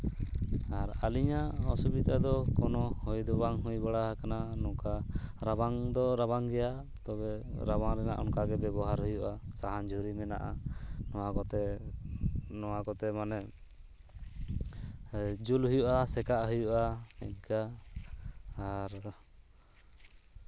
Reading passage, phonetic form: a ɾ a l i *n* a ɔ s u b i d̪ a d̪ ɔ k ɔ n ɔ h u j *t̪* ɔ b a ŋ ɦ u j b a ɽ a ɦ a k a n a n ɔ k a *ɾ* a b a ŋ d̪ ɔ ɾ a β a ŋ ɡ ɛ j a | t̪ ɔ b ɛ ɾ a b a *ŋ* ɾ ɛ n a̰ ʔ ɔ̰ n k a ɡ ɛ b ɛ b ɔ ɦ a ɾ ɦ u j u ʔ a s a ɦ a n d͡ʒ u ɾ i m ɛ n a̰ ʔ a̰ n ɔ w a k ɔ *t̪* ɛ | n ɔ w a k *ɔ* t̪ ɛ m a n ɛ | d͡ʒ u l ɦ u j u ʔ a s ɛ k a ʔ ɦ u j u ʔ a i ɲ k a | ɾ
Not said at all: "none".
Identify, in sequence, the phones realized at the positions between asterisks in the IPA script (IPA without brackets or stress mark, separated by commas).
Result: ɲ, d̪, ɾ, ŋ, t̪, ɔ